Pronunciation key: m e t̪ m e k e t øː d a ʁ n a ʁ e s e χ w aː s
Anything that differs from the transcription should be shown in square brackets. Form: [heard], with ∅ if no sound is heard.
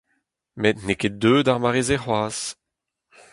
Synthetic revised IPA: m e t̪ [n] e k e [d] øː d a ʁ [m] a ʁ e [z] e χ w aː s